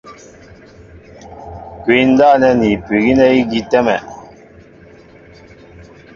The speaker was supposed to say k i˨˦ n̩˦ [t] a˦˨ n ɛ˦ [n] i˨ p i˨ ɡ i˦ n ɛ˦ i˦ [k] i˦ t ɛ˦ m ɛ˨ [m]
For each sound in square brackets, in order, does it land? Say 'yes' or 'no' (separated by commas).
no, yes, no, no